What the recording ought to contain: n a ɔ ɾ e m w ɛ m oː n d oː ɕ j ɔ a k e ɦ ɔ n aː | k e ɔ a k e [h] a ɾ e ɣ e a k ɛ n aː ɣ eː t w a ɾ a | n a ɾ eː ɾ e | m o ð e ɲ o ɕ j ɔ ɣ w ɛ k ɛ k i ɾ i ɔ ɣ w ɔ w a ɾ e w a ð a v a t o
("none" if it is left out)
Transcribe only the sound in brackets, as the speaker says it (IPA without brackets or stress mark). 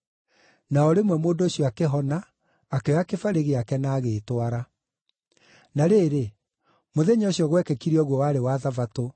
f